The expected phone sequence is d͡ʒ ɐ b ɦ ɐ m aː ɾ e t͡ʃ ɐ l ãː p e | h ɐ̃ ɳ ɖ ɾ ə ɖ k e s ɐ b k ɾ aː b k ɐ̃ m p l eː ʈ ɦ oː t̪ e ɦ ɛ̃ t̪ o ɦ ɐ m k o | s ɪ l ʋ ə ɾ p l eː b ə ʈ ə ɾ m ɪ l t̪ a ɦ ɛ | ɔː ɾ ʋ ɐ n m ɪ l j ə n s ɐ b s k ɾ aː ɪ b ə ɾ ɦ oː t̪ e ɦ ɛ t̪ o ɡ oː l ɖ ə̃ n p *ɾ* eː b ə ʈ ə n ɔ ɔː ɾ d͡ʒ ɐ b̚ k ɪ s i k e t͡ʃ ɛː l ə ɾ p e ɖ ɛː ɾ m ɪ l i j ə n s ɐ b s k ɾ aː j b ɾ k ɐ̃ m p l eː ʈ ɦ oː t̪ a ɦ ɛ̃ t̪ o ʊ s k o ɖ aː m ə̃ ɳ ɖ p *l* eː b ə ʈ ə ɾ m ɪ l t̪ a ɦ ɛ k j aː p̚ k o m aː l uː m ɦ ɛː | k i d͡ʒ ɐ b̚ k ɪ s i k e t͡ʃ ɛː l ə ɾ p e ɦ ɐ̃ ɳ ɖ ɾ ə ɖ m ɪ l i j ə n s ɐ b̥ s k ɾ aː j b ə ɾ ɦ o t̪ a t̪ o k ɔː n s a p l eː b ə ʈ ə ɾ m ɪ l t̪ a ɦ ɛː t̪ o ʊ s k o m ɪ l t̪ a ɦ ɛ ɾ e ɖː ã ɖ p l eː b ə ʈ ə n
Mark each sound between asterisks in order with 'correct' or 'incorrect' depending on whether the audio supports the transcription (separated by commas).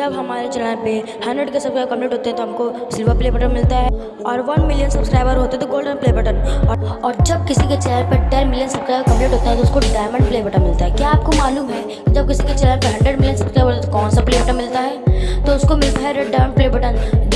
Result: incorrect, correct